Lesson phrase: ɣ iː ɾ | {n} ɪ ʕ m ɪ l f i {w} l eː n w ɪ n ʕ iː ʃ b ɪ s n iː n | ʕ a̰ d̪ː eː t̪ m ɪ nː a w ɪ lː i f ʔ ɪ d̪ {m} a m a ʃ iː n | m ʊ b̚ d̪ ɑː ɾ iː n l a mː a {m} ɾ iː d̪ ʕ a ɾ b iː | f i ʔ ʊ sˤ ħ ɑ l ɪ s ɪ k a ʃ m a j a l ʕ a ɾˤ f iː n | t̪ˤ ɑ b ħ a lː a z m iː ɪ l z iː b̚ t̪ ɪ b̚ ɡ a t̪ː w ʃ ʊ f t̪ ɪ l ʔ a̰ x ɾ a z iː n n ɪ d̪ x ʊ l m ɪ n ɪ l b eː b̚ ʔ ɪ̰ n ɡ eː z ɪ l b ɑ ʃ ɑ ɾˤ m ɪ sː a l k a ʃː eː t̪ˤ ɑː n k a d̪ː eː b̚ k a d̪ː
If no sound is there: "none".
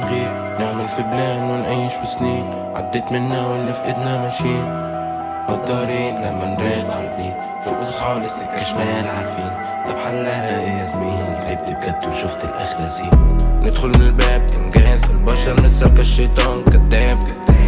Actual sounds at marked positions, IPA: n, b, n, n

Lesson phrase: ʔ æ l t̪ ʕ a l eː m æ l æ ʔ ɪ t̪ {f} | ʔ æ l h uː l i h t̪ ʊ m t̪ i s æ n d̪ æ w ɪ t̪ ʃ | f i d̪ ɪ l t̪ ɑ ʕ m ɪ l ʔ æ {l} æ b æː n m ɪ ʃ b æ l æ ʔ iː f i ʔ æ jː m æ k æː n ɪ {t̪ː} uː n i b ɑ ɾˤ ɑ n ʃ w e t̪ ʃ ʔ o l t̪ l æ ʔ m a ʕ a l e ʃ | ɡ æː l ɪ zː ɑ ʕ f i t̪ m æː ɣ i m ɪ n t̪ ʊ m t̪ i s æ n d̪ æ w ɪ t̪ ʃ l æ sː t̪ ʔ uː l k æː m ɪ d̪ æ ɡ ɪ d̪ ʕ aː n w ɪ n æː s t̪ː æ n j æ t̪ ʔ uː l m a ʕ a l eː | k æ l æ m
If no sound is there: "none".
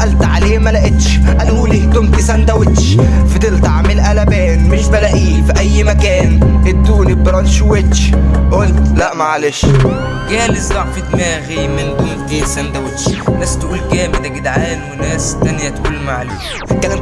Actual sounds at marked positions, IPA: ʃ, l, d̪ː

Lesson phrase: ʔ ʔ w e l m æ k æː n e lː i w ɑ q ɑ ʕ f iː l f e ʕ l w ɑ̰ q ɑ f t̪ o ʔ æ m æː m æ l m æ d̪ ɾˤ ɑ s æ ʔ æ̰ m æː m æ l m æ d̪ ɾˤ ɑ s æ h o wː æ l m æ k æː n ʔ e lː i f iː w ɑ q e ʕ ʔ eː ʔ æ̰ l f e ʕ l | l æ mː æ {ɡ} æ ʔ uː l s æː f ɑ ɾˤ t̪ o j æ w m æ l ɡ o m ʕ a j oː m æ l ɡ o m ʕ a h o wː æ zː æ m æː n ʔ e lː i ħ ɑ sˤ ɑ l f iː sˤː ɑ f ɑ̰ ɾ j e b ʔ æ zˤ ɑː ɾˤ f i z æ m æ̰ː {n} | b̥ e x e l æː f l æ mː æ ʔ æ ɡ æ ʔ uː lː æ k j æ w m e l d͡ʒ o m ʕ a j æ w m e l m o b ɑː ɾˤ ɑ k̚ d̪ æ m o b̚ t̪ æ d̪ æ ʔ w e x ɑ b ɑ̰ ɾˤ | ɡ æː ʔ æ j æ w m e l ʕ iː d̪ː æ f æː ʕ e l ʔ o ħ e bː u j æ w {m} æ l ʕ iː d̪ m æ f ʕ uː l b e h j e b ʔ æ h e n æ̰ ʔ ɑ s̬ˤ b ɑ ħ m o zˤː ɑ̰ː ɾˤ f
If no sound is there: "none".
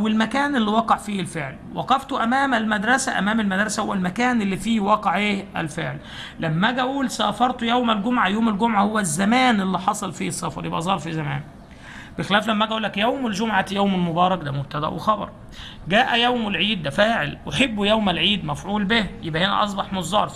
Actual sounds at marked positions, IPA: ɡ, n, m

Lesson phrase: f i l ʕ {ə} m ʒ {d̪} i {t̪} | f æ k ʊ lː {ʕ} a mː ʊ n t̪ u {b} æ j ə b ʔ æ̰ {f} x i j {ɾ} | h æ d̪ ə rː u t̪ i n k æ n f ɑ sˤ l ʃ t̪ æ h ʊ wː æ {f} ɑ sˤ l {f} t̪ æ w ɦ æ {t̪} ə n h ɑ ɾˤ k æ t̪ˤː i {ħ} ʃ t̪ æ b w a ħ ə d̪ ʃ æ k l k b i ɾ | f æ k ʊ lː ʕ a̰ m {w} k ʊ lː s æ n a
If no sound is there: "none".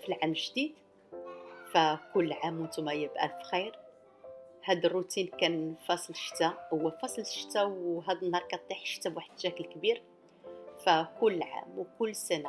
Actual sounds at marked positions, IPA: a, d̪, d̪, ʕ, m, f, ɾ, f, ʃ, d̪, ħ, w

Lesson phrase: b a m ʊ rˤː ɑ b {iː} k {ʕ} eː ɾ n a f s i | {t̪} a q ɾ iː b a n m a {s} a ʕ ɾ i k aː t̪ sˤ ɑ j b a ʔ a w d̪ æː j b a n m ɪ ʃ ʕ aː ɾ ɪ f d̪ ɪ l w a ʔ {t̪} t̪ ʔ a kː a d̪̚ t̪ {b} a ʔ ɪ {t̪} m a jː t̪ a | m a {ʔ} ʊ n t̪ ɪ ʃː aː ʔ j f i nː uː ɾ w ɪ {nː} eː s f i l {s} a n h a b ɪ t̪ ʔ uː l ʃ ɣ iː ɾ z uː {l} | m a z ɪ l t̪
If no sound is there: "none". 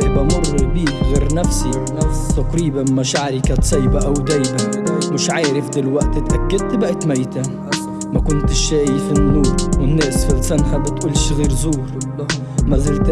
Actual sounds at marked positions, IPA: iː, ɣ, t̪, ʃ, t̪, b, t̪, k, nː, s, ɾ

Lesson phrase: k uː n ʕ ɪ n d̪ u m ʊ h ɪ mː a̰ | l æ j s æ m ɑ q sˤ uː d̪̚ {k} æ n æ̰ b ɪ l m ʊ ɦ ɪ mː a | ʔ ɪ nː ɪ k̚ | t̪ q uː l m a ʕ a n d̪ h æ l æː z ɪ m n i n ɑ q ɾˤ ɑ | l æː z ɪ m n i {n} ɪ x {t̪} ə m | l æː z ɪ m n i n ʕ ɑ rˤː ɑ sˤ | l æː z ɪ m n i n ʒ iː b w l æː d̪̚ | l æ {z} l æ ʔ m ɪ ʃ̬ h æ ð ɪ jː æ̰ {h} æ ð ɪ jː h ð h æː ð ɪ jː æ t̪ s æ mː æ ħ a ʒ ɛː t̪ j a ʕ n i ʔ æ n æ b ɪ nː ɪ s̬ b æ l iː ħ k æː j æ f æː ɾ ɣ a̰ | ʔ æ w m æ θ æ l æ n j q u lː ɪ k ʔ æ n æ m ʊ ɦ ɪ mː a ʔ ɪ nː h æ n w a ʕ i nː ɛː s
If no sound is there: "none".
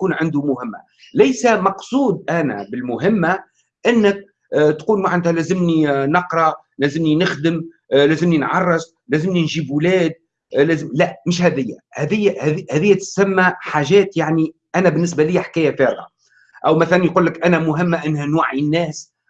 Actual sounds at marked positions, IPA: ʔ, n, d̪, z, h

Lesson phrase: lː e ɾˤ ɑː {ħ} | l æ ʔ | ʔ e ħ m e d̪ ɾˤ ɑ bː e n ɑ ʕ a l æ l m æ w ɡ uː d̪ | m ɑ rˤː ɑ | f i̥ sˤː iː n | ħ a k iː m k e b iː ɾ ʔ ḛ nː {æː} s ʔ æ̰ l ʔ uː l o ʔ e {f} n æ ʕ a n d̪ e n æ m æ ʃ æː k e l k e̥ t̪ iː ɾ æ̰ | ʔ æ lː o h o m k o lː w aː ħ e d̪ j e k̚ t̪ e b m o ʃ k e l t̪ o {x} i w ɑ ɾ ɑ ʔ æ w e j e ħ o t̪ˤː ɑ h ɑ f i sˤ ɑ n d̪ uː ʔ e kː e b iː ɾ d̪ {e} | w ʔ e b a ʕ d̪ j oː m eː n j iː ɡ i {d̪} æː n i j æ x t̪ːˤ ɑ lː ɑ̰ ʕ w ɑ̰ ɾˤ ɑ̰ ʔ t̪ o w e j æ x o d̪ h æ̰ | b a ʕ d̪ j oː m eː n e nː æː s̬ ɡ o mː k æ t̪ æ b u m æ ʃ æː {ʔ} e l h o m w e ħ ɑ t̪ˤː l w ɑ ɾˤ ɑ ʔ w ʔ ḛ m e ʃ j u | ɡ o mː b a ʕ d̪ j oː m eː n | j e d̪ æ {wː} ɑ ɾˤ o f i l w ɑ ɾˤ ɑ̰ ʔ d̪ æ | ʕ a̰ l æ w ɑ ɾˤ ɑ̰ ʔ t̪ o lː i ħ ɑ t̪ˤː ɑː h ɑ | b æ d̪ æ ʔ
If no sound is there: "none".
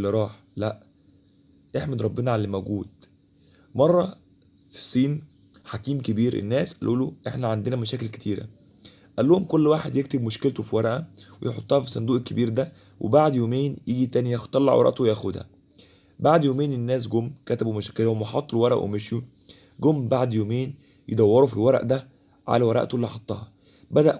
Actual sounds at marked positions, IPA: ħ, æː, ħ, f, æ, t̪, k, wː

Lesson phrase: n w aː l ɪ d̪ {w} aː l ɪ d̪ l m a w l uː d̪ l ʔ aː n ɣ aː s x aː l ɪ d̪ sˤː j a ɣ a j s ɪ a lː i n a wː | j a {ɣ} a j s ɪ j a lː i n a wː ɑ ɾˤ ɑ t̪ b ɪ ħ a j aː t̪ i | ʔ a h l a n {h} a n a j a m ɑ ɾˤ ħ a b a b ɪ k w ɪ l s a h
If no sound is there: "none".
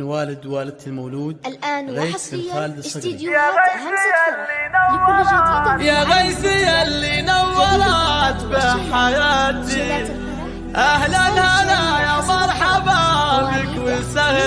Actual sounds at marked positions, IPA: w, ɣ, h

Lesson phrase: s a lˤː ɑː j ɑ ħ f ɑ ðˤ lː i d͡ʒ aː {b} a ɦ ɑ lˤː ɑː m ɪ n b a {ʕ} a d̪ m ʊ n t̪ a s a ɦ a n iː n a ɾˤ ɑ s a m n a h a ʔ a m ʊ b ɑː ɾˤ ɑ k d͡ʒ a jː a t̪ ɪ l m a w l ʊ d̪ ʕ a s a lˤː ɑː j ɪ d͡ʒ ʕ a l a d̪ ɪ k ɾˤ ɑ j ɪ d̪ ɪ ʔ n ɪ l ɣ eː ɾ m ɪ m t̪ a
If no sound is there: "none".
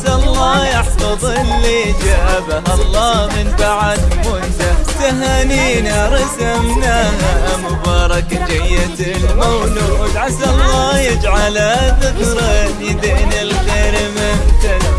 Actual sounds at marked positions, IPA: b, ʕ

